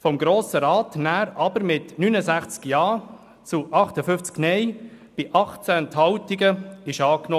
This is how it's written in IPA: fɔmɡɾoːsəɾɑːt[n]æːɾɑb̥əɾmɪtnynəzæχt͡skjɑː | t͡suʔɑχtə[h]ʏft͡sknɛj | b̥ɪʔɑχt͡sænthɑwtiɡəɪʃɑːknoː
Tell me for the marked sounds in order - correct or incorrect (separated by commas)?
correct, incorrect